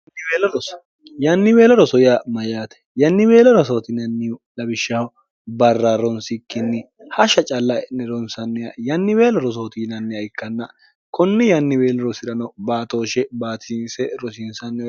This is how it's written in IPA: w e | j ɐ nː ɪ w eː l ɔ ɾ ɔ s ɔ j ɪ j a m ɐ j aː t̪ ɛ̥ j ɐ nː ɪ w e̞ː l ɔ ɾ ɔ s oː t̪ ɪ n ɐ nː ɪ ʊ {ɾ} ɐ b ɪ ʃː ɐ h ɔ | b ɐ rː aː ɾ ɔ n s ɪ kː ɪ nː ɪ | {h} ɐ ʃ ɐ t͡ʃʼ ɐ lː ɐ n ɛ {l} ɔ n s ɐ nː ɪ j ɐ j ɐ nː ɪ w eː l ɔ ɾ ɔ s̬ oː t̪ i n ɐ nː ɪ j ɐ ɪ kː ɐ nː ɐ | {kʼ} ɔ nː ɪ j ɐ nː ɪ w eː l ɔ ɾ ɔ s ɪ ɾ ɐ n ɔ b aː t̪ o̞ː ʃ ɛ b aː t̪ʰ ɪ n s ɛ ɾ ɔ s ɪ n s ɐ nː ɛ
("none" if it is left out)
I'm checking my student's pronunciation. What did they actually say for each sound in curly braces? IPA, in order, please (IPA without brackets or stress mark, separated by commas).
l, h, ɾ, k